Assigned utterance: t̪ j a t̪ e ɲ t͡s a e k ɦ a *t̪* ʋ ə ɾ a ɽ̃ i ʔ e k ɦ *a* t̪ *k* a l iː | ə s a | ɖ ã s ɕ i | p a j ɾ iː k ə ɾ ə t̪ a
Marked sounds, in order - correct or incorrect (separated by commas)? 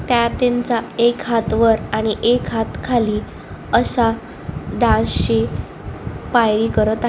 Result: correct, correct, incorrect